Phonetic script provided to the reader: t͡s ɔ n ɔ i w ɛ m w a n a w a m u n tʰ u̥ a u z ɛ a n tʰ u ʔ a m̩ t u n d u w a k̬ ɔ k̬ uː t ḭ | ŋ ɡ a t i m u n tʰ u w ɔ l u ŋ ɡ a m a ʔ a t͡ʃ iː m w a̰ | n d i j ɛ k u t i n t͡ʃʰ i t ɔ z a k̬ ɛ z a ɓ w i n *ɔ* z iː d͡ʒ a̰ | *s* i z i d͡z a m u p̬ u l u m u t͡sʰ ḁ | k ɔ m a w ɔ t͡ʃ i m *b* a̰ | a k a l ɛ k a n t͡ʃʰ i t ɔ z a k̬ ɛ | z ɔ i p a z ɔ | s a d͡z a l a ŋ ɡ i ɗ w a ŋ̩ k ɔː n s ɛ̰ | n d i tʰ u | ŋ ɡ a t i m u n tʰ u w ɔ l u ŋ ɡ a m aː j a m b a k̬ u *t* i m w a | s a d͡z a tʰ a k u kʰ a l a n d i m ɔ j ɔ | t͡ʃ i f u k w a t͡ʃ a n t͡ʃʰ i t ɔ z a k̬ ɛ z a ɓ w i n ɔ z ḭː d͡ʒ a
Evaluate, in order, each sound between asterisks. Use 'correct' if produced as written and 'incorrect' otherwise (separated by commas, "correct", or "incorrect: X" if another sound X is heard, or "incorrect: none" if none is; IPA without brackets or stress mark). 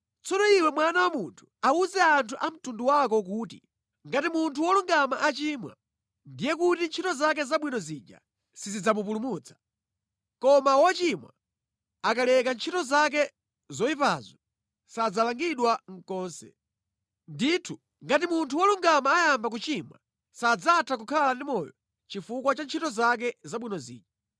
correct, correct, incorrect: w, incorrect: t͡ʃ